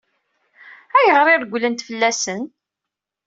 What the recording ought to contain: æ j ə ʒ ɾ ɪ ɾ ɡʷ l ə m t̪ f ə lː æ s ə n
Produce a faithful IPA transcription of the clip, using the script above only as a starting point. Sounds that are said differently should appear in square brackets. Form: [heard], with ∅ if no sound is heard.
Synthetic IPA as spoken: æ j ə [ʁ] ɾ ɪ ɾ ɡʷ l ə [n] t̪ f ə lː æ s ə n